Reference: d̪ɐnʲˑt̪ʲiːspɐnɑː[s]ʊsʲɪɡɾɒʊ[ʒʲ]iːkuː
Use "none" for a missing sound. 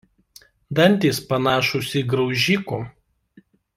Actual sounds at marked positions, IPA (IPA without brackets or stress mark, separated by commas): ʃ, ʒʲ